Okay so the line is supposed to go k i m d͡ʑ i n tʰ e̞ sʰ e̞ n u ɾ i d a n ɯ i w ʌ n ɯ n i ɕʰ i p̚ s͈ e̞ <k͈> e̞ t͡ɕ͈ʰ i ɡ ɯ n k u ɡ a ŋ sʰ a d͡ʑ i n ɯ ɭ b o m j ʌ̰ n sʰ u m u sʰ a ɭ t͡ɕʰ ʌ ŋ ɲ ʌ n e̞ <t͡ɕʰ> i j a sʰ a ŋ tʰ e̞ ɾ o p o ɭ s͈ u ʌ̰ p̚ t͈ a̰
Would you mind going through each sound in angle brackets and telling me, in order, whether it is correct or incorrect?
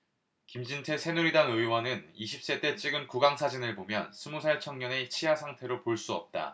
incorrect, correct

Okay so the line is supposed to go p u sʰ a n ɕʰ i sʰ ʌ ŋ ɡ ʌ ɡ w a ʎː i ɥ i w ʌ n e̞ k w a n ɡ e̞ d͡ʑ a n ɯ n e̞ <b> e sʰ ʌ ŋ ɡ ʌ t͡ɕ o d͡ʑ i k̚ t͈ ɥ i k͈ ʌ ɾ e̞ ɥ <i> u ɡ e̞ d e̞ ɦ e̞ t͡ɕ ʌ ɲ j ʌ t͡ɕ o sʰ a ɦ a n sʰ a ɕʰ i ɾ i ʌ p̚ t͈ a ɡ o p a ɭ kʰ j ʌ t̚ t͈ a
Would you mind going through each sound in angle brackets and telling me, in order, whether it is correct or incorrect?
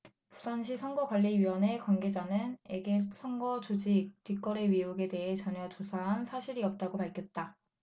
incorrect, correct

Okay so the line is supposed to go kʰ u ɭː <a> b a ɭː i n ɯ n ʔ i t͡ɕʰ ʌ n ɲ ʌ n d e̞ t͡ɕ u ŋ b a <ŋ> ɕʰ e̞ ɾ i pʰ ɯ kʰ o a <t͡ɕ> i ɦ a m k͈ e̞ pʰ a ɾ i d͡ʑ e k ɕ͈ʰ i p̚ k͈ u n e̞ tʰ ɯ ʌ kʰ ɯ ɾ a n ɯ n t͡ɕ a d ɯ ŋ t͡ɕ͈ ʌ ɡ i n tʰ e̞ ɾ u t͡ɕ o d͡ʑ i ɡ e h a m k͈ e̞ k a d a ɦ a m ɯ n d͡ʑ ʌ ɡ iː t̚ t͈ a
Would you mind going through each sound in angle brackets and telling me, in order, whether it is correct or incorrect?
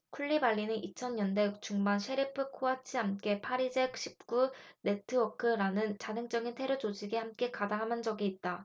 incorrect, incorrect, incorrect

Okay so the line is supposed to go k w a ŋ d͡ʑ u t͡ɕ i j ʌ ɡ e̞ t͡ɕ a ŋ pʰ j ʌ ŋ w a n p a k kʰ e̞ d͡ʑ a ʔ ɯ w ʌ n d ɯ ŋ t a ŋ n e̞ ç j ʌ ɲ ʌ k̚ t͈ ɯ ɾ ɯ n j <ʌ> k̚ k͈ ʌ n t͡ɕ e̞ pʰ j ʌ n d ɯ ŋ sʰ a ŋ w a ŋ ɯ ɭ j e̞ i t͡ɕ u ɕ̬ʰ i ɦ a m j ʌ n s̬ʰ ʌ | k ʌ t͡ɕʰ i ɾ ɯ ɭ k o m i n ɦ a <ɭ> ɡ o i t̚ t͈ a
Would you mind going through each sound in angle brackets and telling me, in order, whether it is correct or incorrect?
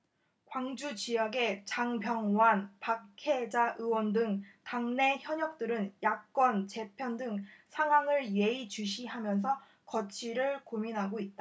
incorrect, incorrect

